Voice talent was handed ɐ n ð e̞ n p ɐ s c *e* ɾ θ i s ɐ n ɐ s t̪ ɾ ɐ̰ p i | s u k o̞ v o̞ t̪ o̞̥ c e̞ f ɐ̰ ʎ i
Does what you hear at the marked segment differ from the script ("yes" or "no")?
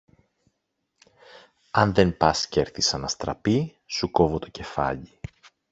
no